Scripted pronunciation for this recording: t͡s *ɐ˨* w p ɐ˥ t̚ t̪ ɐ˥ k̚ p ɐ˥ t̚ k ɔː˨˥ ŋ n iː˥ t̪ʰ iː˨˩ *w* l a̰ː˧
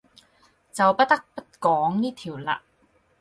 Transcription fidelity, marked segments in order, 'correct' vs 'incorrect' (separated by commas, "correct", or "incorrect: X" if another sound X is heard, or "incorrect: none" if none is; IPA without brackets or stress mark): correct, correct